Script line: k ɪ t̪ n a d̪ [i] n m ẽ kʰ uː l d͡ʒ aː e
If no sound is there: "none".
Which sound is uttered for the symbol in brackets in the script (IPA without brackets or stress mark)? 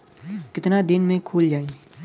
ɪ